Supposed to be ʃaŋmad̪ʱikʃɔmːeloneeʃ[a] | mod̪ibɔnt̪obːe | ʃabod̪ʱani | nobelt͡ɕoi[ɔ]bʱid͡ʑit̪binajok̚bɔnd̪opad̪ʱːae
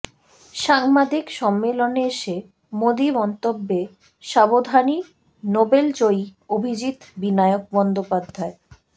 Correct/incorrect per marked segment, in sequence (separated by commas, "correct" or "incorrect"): incorrect, incorrect